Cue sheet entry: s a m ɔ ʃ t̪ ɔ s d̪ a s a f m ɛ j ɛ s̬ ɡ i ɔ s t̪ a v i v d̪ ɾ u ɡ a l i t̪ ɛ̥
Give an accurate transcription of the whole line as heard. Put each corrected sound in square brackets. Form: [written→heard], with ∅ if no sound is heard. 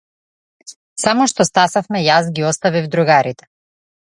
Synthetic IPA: s a m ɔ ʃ t̪ ɔ s [d̪→t̪] a s a f m ɛ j [ɛ→a] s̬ ɡ i ɔ s t̪ a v i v d̪ ɾ u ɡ a [l→ɾ] i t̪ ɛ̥